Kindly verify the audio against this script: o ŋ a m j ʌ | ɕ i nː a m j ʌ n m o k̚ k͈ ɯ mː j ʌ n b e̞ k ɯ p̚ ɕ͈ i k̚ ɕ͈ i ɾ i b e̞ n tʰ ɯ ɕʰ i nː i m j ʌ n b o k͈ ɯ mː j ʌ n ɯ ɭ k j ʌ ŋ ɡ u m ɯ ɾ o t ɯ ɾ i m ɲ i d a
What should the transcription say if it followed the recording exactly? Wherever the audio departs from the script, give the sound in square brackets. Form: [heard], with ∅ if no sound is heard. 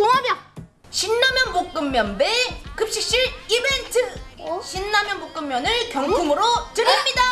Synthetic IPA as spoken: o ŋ a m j ʌ | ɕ i nː a m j ʌ n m o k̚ k͈ ɯ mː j ʌ n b e̞ k ɯ p̚ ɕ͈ i k̚ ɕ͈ i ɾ i b e̞ n tʰ ɯ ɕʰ i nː [a] m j ʌ n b o k͈ ɯ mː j ʌ n ɯ ɭ k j ʌ ŋ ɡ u m ɯ ɾ o t ɯ ɾ i m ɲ i d a